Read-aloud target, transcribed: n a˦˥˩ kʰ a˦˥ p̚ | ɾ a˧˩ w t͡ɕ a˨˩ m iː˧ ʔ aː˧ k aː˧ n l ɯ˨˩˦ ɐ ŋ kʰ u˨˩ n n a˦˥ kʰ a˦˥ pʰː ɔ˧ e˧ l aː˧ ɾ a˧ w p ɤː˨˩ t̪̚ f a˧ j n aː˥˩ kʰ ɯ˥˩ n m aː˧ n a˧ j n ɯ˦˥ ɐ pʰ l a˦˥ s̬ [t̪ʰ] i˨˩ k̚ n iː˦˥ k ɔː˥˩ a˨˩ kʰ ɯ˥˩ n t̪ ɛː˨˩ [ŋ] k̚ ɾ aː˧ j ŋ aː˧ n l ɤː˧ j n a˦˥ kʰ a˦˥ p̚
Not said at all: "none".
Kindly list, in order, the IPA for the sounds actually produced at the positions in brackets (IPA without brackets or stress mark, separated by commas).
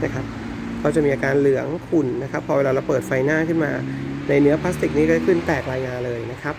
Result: t̪, none